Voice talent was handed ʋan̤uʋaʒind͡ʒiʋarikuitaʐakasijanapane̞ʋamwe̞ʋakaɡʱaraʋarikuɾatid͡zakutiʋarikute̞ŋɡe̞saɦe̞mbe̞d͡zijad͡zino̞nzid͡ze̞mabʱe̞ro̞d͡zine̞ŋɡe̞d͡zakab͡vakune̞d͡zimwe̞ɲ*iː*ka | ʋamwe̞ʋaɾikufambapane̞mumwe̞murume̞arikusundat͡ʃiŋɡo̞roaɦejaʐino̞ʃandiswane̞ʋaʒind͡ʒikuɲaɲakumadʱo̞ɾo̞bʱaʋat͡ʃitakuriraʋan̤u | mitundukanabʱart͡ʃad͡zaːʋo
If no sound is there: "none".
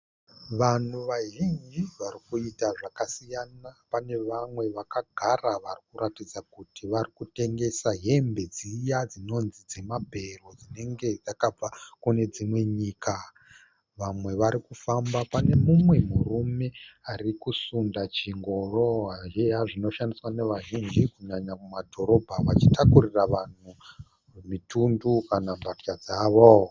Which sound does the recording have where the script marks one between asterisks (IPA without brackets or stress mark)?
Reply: iː